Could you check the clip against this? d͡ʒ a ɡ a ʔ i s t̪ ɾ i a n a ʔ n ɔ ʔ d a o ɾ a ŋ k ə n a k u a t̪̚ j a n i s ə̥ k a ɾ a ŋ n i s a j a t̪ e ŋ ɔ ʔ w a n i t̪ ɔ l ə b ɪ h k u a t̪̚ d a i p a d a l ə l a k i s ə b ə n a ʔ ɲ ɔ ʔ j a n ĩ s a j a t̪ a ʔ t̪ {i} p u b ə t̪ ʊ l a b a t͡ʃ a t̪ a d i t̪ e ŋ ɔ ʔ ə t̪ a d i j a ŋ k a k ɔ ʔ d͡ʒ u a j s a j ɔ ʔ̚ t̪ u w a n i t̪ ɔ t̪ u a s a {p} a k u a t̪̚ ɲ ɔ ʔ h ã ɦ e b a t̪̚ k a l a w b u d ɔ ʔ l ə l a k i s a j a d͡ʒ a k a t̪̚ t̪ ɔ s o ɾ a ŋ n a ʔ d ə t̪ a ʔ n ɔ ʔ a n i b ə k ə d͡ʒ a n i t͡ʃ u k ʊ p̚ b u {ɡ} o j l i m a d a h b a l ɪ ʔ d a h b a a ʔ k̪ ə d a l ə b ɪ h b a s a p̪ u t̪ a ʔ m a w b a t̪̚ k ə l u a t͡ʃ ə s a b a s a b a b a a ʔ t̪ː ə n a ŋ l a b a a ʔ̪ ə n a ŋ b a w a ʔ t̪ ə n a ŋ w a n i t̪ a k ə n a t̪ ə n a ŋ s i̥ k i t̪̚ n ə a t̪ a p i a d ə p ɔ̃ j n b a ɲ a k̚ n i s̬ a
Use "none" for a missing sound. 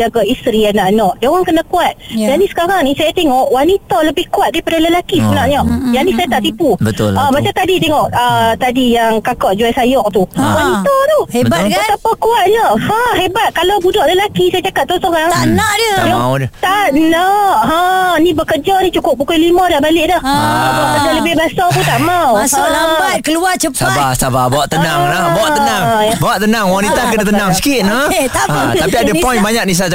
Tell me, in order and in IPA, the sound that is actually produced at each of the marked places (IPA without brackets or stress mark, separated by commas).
i, p, k